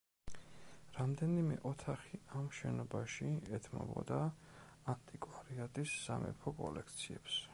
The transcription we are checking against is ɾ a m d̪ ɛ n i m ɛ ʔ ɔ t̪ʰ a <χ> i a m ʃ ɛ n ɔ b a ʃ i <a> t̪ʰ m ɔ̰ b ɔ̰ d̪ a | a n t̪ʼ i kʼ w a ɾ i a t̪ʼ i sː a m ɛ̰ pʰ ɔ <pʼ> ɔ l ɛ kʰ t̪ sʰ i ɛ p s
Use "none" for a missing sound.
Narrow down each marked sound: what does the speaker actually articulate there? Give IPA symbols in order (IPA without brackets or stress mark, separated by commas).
χ, ɛ, kʼ